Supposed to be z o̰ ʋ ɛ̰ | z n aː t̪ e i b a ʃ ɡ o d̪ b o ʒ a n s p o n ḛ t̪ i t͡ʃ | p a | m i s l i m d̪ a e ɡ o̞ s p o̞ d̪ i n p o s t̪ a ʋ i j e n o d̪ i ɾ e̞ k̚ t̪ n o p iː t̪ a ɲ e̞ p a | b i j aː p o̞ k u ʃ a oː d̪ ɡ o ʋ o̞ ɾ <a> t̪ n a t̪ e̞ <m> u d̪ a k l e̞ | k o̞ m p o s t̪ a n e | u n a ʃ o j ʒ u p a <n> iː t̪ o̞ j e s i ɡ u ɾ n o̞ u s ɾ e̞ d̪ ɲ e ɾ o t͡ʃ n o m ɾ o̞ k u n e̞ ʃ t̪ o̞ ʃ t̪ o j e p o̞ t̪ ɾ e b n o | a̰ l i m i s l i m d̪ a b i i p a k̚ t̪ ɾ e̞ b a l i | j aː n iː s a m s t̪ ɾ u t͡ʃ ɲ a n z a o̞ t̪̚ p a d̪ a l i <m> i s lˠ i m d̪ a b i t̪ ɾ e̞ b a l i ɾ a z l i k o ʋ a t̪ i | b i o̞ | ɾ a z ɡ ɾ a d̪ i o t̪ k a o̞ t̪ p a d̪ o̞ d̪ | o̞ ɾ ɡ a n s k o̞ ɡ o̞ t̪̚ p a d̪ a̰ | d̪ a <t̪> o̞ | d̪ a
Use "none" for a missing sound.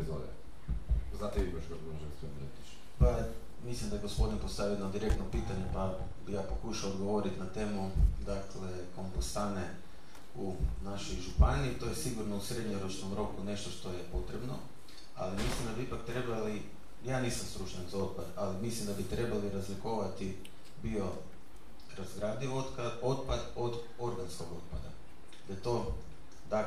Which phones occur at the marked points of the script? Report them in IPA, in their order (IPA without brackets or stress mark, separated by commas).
i, m, n, m, t̪